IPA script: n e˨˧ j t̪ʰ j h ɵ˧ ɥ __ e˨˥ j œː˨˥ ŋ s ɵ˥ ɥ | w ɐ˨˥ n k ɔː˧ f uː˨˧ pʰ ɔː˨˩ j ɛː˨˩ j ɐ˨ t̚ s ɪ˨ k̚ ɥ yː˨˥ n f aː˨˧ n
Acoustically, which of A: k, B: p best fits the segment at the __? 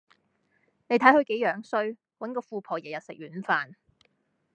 A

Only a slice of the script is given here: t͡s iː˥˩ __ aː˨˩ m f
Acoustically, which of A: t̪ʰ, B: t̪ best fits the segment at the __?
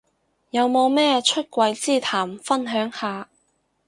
A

